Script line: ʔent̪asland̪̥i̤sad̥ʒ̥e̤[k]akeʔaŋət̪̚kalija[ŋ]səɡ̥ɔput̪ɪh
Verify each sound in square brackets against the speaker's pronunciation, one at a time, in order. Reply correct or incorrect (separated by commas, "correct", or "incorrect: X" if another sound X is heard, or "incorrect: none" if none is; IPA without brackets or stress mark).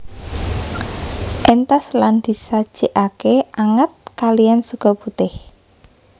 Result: incorrect: ʔ, incorrect: n